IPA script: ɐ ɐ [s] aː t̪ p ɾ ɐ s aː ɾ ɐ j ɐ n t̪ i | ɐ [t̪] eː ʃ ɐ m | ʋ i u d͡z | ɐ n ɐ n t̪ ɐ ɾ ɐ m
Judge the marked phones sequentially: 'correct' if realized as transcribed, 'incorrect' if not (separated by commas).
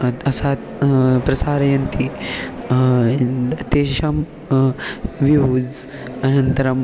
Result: correct, correct